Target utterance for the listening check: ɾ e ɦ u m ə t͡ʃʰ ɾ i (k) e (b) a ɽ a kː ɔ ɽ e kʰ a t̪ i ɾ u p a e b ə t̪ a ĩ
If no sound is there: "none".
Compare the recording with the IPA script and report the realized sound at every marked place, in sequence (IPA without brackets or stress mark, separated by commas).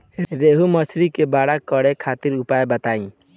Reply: k, b